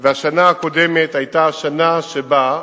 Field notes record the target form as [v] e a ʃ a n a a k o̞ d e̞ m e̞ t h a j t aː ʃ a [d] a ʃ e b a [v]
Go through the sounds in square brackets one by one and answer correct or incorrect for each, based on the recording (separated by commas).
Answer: correct, incorrect, incorrect